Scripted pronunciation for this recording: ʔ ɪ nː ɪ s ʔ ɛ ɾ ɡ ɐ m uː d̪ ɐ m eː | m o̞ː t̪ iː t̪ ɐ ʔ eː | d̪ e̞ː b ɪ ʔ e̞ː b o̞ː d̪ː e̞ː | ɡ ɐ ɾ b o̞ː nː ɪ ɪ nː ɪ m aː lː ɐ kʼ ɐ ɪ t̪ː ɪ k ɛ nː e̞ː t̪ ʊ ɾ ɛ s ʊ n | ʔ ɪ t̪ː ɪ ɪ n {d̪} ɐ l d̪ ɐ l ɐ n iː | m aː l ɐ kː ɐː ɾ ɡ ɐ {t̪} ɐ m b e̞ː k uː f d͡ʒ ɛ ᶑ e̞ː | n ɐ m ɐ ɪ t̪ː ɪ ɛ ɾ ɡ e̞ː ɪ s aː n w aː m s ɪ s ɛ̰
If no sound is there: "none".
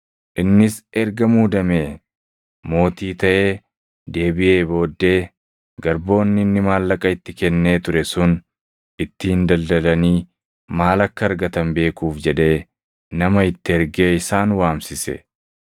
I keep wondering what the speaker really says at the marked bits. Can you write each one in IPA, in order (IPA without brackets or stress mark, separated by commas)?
d̪, t̪